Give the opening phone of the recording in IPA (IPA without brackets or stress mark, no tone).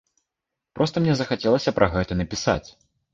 p